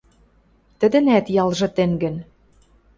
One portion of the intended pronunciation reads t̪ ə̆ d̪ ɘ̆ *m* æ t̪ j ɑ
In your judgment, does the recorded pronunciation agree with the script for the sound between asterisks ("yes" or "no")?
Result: no